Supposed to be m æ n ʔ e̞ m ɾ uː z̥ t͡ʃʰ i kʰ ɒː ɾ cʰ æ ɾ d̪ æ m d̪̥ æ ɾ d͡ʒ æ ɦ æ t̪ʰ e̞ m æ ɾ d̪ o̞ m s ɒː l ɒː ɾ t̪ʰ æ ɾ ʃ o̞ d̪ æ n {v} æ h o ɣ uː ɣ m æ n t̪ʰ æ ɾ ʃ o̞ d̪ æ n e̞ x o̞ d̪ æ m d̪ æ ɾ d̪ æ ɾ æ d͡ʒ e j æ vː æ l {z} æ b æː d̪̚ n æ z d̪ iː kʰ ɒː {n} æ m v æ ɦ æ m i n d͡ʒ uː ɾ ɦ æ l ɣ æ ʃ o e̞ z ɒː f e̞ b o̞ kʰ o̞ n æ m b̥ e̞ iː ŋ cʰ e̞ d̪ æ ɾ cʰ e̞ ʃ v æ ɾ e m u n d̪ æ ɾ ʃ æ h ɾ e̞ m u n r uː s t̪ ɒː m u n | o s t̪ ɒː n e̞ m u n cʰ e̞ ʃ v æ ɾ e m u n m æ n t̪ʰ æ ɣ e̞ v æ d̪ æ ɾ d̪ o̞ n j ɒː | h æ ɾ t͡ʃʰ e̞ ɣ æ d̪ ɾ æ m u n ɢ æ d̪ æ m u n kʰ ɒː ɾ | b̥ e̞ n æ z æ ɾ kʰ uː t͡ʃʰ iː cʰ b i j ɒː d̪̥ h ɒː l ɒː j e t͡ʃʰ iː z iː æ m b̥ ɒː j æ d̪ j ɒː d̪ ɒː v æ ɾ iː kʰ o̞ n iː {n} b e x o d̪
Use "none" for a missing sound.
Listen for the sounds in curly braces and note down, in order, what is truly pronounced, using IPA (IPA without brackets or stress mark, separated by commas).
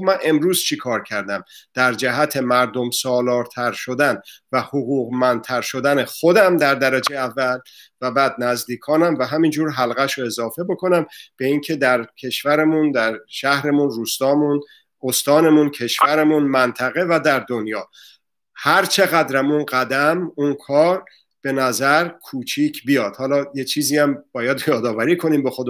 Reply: v, v, n, m